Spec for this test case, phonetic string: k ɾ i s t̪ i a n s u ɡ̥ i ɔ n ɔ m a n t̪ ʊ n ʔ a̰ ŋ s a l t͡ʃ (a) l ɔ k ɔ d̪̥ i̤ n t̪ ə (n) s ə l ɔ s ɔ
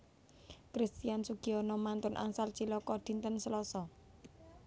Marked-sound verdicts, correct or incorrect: incorrect, correct

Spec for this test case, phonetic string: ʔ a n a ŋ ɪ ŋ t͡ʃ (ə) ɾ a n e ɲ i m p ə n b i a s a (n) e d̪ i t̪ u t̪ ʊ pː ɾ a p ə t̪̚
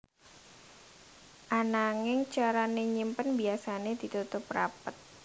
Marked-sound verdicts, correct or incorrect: incorrect, correct

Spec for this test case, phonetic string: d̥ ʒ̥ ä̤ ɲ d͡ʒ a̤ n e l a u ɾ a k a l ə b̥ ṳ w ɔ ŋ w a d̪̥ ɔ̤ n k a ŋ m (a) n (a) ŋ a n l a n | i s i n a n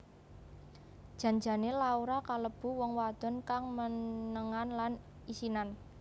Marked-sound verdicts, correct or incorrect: incorrect, incorrect

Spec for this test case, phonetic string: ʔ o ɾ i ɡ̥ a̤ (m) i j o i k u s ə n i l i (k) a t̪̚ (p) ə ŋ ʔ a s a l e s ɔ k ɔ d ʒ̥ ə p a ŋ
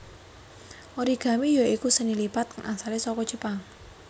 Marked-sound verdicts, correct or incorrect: correct, incorrect, incorrect

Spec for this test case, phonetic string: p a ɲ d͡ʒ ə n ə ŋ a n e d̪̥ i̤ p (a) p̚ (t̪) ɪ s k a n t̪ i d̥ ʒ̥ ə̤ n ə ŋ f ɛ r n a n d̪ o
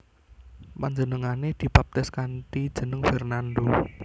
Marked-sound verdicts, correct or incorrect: correct, correct

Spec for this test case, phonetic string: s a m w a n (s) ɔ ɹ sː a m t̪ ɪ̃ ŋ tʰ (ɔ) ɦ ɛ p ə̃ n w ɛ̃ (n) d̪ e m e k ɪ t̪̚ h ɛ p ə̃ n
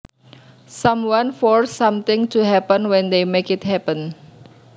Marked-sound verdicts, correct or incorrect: incorrect, incorrect, correct

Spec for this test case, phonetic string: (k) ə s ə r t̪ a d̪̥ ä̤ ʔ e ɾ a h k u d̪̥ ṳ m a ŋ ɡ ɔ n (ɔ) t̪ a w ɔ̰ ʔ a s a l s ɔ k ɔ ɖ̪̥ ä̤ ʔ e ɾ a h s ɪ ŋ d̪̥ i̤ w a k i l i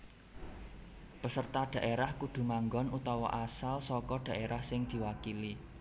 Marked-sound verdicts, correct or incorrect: incorrect, incorrect

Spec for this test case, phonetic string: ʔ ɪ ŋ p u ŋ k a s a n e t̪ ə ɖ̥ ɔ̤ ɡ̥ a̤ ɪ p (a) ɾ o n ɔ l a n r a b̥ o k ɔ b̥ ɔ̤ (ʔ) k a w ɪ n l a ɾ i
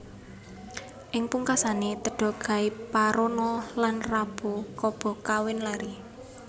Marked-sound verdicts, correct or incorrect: correct, incorrect

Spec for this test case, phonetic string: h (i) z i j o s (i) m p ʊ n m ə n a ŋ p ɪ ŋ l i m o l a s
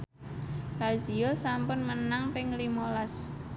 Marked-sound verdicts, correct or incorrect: incorrect, incorrect

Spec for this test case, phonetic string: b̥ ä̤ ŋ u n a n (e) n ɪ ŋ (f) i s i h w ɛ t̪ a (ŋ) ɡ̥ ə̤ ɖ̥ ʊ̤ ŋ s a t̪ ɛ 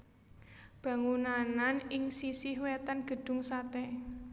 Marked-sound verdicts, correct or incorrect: incorrect, incorrect, incorrect

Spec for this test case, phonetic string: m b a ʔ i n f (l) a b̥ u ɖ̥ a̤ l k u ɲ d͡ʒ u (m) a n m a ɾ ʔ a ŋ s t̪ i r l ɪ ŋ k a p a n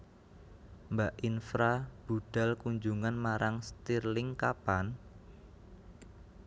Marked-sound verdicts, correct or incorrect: incorrect, incorrect

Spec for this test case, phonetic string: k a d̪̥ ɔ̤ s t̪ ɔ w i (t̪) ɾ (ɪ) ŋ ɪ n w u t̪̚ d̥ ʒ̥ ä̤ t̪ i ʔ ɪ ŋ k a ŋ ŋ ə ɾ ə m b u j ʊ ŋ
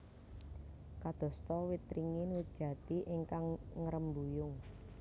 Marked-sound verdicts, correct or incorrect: correct, incorrect

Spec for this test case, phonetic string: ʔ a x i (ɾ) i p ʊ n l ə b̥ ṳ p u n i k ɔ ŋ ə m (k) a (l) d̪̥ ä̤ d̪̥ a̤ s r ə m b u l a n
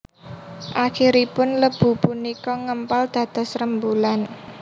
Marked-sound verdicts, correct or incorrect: correct, incorrect, correct

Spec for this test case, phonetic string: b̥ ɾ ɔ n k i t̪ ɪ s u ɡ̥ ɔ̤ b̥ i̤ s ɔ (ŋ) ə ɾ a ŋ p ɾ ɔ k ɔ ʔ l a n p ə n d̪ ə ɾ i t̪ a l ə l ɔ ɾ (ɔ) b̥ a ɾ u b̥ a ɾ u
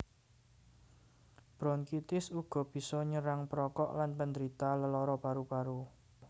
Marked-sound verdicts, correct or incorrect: incorrect, correct

